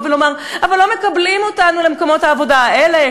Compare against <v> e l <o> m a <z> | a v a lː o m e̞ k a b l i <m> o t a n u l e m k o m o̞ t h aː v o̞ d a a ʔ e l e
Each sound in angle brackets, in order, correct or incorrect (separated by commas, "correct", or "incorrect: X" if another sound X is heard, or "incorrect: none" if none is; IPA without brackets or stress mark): correct, correct, incorrect: ʁ, correct